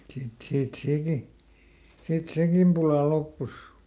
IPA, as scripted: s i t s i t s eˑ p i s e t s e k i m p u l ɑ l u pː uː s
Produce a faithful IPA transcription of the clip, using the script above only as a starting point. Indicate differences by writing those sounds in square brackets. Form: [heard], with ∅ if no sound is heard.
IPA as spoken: s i t s [iː] t s eˑ [k] i s [i] t s e k i m p u l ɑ l [o] pː [u] s